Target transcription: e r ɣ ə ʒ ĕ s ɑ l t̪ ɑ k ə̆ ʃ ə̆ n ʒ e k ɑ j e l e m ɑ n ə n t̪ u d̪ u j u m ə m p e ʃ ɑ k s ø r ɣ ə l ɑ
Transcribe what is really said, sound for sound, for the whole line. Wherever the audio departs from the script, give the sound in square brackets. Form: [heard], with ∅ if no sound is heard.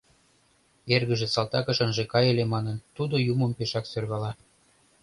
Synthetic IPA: e r ɣ ə ʒ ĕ s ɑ l t̪ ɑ k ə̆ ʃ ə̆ n ʒ e k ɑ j e l e m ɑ n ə n t̪ u d̪ [o] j u m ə m p e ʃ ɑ k s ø r ɣ [ɑ] l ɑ